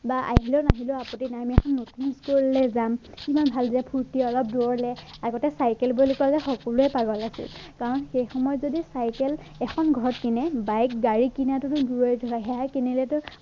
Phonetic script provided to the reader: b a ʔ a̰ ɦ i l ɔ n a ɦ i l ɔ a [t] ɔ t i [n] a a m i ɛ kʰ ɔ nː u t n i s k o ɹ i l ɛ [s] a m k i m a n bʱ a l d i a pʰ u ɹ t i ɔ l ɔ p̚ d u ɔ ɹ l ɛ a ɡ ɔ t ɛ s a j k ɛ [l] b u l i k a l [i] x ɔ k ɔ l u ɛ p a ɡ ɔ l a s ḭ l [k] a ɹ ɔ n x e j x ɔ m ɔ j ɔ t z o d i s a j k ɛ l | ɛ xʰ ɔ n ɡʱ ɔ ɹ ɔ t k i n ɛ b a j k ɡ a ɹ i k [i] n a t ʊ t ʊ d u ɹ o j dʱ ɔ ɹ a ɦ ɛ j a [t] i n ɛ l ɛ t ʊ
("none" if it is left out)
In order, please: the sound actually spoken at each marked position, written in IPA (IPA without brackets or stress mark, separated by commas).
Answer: p, n, z, l, ɛ, k, i, k